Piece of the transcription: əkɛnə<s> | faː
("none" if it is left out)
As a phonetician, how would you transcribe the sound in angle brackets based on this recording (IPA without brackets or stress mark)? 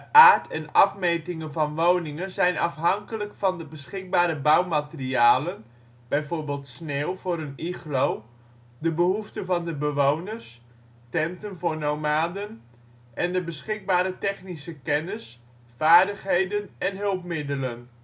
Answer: s